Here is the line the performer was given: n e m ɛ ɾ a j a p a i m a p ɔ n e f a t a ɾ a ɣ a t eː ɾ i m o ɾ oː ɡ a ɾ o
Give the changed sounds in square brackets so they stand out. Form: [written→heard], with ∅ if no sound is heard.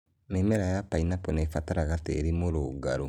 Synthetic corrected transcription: n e m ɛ ɾ a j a p a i [m→n] a p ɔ n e f a t a ɾ a ɣ a t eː ɾ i m o ɾ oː ɡ a ɾ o